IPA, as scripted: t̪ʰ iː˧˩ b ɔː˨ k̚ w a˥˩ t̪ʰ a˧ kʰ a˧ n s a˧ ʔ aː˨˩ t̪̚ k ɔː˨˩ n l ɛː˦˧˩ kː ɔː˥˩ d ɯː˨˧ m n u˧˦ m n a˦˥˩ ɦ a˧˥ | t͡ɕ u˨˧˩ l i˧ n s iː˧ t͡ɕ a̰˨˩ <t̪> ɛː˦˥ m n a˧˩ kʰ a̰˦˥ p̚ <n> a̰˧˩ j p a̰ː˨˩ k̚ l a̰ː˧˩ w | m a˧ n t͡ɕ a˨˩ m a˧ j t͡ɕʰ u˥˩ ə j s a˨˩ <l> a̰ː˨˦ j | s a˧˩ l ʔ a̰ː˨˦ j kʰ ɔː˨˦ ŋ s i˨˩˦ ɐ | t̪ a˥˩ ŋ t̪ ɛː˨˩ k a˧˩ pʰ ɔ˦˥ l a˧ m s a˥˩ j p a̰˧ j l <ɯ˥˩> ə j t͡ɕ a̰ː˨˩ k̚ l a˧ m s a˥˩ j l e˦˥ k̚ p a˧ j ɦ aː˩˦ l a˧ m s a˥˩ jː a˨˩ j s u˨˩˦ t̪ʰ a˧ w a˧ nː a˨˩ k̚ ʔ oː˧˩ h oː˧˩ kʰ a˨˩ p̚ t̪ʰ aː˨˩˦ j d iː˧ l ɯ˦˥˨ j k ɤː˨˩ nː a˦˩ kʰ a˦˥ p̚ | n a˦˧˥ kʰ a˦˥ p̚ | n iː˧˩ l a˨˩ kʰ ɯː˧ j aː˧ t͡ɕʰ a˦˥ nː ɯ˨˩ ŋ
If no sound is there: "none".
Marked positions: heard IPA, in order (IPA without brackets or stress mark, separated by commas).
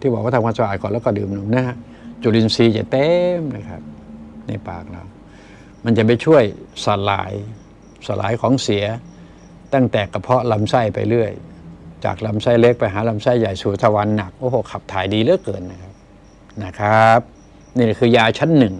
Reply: t̪, n, l, ɯ˥˩